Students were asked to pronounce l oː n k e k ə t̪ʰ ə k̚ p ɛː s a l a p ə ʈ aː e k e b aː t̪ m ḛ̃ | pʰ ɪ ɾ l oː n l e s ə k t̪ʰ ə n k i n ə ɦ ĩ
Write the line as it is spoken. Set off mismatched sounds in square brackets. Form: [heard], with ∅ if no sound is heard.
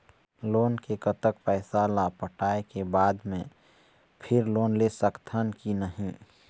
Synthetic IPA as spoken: l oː n k e k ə [t̪] ə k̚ p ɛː s a l a p ə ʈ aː e k e b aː [d̪] m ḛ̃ | pʰ ɪ ɾ l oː n l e s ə k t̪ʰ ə n k i n ə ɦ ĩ

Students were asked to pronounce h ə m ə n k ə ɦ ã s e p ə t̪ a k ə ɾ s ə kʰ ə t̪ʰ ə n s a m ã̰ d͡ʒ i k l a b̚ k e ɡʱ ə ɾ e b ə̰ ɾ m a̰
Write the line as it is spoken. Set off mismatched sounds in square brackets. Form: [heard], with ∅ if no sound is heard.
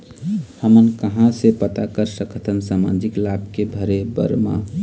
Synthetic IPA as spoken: h ə m ə n k ə ɦ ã s e p ə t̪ a k ə ɾ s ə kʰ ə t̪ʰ ə n s a m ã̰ d͡ʒ i k l a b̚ k e [bʱ] ə ɾ e b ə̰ ɾ m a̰

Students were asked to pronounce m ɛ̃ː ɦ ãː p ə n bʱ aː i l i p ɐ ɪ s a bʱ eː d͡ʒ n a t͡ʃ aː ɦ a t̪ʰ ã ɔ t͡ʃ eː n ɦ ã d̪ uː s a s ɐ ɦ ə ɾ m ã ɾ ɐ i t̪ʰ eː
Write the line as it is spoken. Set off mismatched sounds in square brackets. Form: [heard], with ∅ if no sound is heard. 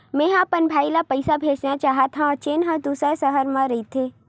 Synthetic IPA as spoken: m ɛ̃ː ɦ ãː p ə n bʱ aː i l [a] p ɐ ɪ s a bʱ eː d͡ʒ n a t͡ʃ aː ɦ a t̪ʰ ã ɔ t͡ʃ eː n ɦ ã d̪ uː s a s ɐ ɦ ə ɾ m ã ɾ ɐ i t̪ʰ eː

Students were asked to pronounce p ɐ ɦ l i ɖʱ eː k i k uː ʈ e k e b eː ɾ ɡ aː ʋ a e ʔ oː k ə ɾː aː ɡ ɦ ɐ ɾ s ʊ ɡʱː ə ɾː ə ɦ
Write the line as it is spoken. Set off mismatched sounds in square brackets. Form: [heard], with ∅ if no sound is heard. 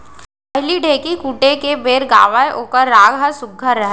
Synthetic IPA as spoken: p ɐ ɦ l i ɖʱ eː k i k uː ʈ e k e b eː ɾ ɡ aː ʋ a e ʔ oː k ə ɾː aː ɡ ɦ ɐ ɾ s ʊ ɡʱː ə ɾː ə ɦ

